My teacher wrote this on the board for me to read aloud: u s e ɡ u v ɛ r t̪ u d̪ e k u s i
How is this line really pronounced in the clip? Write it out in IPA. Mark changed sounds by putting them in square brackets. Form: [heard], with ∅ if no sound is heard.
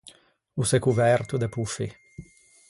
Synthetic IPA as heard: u s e [k] u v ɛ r t̪ u d̪ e [p] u [f] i